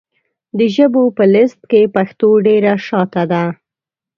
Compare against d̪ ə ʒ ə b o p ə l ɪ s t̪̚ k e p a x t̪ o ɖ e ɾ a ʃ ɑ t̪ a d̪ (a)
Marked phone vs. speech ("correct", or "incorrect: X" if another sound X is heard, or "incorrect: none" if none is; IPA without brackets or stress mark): correct